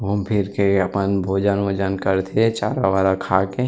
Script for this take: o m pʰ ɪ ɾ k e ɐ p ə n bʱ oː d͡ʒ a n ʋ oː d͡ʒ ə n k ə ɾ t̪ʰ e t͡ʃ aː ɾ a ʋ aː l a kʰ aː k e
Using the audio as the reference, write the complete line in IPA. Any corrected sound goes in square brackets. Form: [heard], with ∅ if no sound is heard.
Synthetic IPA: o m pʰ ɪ ɾ k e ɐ p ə n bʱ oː d͡ʒ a n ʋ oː d͡ʒ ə n k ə ɾ t̪ʰ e t͡ʃ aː ɾ a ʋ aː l a kʰ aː k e